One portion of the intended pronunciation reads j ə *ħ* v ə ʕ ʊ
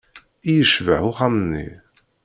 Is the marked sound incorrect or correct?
incorrect: ʃ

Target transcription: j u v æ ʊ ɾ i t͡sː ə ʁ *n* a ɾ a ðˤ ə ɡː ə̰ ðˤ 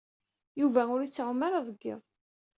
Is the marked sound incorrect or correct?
incorrect: m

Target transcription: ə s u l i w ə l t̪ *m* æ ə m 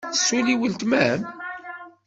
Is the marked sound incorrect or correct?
correct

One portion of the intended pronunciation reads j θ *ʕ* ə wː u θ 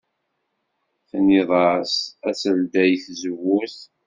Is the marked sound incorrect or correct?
incorrect: z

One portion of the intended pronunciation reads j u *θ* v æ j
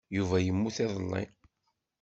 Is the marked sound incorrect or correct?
incorrect: none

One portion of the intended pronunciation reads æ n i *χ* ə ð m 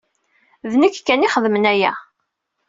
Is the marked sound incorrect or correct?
correct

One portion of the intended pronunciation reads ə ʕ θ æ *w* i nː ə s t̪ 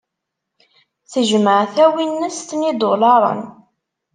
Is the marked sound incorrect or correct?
correct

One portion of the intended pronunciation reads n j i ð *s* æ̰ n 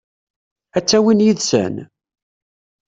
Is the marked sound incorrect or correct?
correct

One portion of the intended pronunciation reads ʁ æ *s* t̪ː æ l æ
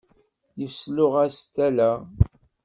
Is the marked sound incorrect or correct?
correct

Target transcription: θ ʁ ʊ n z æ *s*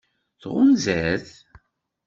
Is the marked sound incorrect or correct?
incorrect: θ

